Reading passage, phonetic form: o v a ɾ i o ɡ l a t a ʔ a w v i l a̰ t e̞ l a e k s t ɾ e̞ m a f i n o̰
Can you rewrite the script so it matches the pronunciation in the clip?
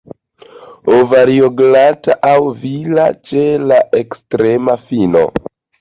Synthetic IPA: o v a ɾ i o ɡ l a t a ʔ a w v i l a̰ t͡ʃ e̞ l a e k s t ɾ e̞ m a f i n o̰